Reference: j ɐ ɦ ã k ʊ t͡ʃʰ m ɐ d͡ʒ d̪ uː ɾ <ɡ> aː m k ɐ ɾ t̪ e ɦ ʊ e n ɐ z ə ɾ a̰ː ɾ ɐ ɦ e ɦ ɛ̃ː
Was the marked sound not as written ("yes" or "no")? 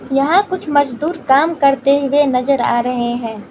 yes